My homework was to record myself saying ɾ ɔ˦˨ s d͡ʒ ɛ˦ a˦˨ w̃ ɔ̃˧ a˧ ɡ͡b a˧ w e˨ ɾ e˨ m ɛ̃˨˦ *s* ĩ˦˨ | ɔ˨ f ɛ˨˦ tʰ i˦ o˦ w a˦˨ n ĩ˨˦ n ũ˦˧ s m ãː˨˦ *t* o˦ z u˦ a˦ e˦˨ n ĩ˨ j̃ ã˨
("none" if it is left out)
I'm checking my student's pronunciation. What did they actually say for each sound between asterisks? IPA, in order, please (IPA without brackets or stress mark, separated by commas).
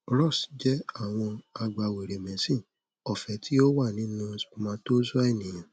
s, t